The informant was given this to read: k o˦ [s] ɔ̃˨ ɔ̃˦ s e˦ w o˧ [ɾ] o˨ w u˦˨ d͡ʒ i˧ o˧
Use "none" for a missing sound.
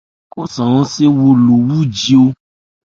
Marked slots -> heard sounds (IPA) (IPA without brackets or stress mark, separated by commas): s, l